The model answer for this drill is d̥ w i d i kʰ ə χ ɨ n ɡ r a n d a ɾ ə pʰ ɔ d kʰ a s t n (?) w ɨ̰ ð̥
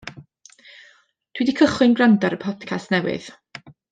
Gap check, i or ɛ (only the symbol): ɛ